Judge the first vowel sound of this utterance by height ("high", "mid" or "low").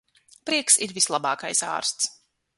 high